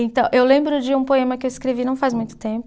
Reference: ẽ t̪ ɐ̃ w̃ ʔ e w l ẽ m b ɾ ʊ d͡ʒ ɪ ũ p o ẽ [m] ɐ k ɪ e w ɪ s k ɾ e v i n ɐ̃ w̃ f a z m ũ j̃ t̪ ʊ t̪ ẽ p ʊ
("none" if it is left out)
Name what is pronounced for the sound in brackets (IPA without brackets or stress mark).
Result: m